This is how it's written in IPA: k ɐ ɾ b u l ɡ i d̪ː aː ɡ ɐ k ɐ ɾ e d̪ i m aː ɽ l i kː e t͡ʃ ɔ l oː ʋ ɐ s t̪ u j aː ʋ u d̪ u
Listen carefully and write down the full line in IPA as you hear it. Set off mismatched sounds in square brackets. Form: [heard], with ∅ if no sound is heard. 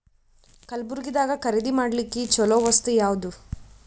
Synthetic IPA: k ɐ [l] b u [ɾ] ɡ i [d̪] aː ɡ ɐ k ɐ ɾ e d̪ i m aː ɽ l i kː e t͡ʃ ɔ l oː ʋ ɐ s t̪ u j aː ʋ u d̪ u